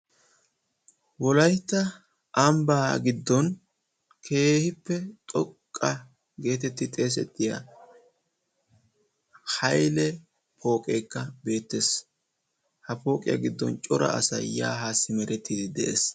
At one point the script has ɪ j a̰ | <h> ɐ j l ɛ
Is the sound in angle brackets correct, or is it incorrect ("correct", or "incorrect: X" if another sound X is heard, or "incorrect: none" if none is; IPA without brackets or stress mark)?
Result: correct